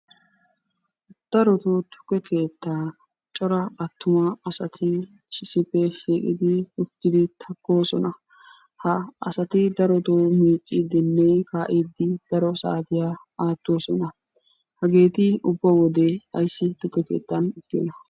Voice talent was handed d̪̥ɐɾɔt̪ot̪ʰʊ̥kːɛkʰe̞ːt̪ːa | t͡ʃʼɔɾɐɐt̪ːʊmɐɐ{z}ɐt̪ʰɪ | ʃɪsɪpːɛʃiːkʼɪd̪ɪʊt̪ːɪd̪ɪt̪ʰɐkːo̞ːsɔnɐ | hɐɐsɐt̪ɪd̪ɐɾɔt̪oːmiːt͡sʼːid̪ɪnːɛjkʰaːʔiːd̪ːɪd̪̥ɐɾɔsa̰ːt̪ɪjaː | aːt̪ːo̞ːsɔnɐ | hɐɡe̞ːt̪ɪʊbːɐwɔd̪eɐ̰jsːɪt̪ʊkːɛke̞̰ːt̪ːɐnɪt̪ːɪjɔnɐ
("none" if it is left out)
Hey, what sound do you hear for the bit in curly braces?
s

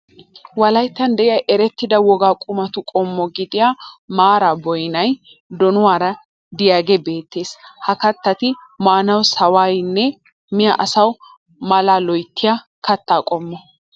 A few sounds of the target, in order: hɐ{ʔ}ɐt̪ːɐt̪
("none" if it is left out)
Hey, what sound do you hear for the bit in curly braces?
k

